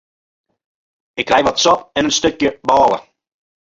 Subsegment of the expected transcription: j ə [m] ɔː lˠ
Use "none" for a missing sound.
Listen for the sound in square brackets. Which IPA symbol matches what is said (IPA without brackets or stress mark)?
b